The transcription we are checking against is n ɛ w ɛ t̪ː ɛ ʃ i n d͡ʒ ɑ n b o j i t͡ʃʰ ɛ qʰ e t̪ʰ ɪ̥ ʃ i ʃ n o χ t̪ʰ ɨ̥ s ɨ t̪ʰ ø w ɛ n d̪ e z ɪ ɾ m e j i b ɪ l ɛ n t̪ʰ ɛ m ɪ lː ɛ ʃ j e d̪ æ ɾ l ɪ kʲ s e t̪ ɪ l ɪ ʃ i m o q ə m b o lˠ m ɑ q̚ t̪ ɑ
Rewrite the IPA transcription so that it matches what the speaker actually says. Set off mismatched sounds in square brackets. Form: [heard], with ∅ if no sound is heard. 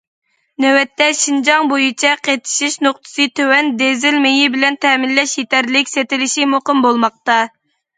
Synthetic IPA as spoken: n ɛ w ɛ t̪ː ɛ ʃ i n d͡ʒ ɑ [ŋ] b o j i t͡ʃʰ ɛ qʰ e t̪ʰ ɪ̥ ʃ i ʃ n o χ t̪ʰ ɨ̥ s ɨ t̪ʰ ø w ɛ n d̪ e z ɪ [l] m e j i b ɪ l ɛ n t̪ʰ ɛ m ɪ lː ɛ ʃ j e [t̪] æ ɾ l ɪ kʲ s e t̪ ɪ l ɪ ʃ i m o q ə m b o lˠ m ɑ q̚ t̪ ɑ

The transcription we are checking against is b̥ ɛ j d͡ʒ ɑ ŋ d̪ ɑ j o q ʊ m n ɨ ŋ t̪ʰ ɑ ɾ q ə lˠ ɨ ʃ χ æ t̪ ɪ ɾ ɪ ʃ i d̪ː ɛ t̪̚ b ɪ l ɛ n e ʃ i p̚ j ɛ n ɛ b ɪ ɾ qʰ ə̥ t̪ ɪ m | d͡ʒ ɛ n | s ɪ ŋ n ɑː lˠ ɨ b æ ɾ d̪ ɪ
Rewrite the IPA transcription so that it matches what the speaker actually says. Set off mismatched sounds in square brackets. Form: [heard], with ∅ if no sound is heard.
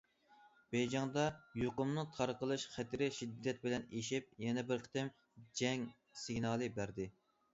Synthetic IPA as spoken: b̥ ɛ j d͡ʒ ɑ ŋ d̪ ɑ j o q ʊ m n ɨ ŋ t̪ʰ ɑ ɾ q ə lˠ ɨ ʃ χ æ t̪ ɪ ɾ ɪ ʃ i d̪ː ɛ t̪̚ b ɪ l ɛ n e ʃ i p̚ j ɛ n ɛ b ɪ ɾ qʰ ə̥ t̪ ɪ m | d͡ʒ ɛ [ŋ] | s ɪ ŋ n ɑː lˠ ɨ b æ ɾ d̪ ɪ

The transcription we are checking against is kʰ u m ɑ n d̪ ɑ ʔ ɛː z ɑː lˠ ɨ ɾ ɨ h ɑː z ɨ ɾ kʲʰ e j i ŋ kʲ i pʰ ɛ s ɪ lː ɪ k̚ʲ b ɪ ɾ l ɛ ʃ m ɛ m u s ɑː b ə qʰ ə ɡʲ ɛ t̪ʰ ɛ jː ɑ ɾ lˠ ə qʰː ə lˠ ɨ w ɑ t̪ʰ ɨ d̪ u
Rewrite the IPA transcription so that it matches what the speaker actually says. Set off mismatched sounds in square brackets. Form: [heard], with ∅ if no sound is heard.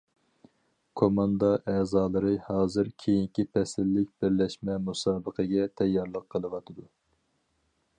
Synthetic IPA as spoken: kʰ [o] m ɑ n d̪ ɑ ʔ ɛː z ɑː lˠ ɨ ɾ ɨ h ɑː z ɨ ɾ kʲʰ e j i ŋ kʲ i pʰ ɛ s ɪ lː ɪ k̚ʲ b ɪ ɾ l ɛ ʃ m ɛ m u s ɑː b ə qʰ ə ɡʲ ɛ t̪ʰ ɛ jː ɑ ɾ lˠ ə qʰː ə lˠ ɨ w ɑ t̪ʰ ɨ d̪ u

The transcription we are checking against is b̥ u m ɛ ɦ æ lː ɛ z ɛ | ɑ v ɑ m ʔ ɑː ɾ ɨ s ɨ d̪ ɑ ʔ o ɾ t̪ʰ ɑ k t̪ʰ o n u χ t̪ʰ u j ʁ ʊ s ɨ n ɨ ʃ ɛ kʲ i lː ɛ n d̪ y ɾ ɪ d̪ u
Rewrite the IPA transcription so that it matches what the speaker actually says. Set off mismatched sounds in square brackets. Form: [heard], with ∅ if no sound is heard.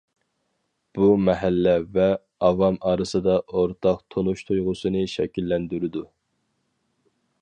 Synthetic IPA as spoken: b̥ u m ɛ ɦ æ lː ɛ [v] ɛ | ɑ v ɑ m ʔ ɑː ɾ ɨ s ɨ d̪ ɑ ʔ o ɾ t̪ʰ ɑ [q] t̪ʰ o n u [ʃ] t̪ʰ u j ʁ ʊ s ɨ n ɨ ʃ ɛ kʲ i lː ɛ n d̪ y ɾ ɪ d̪ u

